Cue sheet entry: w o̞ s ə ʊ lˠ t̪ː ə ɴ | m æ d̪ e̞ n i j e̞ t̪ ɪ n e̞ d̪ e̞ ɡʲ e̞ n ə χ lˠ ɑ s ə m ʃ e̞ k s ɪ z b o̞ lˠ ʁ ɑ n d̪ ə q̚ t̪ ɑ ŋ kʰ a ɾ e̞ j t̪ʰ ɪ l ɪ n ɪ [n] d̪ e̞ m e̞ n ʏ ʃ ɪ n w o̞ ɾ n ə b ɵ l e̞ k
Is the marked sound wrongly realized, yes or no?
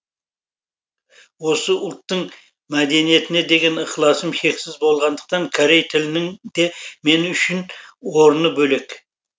yes